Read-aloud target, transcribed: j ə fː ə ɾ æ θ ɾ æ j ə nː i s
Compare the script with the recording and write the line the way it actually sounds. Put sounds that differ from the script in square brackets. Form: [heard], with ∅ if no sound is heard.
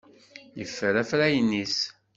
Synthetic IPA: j ə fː ə ɾ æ [f] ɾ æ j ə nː i s